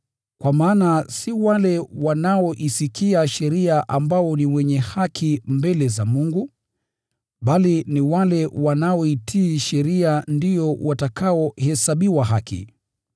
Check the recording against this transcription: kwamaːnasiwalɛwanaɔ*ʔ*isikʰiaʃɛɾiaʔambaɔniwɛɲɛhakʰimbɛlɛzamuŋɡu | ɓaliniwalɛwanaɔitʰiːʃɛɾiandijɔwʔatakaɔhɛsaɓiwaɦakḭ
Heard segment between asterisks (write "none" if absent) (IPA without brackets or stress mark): ʔ